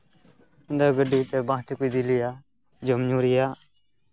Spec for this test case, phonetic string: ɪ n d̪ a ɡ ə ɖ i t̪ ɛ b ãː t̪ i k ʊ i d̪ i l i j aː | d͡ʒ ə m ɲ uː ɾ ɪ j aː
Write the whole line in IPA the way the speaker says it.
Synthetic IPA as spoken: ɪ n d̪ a ɡ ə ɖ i t̪ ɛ b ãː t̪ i k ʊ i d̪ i l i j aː | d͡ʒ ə m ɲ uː ɾ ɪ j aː

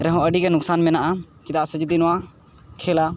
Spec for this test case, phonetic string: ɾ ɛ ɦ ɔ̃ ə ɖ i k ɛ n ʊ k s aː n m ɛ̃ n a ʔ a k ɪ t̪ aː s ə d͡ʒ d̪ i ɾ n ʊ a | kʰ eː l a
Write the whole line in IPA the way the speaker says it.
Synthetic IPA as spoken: ɾ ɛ ɦ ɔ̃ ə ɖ i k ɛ n ʊ k s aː n m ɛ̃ n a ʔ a k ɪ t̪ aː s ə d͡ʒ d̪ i n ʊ a | kʰ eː l a

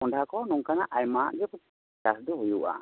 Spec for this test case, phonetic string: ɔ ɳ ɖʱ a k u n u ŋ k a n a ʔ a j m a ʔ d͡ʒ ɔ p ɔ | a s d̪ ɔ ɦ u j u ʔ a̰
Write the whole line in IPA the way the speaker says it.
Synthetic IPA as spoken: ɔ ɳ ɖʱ a k ɔ n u ŋ k a n a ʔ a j m a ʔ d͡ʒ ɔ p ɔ | a s d̪ ɔ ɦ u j u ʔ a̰

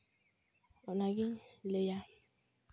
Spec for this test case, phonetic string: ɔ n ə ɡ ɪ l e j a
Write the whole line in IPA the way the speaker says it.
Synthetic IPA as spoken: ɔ n a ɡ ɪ l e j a

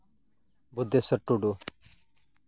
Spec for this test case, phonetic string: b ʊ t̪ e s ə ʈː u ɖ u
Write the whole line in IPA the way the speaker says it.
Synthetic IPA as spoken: b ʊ d̪ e s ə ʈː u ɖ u

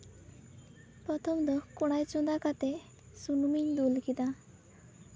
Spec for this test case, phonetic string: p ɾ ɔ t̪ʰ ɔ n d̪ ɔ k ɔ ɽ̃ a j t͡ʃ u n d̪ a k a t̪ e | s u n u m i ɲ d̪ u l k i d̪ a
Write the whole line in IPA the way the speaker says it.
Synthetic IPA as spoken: p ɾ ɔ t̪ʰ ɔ m d̪ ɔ k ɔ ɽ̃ a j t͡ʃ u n d̪ a k a t̪ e | s u n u m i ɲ d̪ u l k i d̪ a

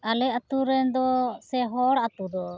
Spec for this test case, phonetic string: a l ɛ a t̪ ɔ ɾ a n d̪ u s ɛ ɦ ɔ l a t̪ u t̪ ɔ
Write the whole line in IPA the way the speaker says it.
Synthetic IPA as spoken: a l ɛ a t̪ u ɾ ɛ n d̪ ɔ s ɛ ɦ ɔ ɽ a t̪ u d̪ ɔ

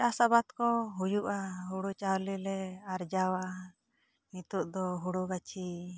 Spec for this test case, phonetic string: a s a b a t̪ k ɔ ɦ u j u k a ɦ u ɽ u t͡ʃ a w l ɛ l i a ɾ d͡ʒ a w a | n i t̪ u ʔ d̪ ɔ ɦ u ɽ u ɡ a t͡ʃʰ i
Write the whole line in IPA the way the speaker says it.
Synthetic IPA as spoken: a s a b a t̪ k ɔ ɦ u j u ʔ a ɦ u ɽ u t͡ʃ a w l i l ɛ a ɾ d͡ʒ a w a | n i t̪ u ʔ d̪ ɔ ɦ u ɽ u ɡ a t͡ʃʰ i

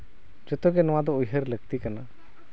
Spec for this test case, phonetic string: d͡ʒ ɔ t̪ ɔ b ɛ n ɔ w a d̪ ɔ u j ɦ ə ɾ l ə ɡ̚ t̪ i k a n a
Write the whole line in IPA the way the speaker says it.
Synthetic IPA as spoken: d͡ʒ ɔ t̪ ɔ ɡ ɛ n ɔ w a d̪ ɔ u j ɦ ə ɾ l ə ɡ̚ t̪ i k a n a

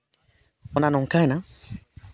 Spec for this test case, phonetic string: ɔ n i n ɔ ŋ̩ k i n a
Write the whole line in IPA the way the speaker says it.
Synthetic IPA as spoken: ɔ n a n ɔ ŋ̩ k a n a

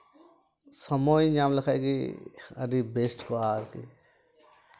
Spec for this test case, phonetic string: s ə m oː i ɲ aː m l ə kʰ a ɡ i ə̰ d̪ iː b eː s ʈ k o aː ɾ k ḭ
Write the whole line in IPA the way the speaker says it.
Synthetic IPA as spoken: s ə m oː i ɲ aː m l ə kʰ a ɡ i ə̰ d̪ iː b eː s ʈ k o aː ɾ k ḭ

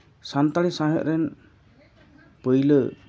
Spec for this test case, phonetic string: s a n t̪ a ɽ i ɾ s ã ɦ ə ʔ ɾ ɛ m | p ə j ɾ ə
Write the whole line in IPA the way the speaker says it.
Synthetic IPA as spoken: s a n t̪ a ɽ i s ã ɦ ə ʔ ɾ ɛ n | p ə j l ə

